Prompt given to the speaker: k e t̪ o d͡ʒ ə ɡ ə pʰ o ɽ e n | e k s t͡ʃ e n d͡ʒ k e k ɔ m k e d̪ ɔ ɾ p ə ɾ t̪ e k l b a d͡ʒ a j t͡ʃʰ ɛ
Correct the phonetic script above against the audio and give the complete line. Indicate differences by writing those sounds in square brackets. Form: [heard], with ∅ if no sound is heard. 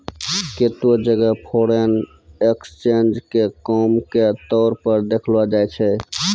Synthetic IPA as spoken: k e t̪ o d͡ʒ ə ɡ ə pʰ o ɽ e n | e k s t͡ʃ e n d͡ʒ k e k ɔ m k e [t̪] ɔ ɾ p ə ɾ [d̪] e [kʰ] l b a d͡ʒ a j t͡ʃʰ ɛ